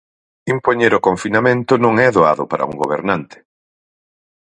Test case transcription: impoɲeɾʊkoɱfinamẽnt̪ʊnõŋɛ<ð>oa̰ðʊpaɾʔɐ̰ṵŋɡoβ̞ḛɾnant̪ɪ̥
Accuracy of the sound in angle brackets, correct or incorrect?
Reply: correct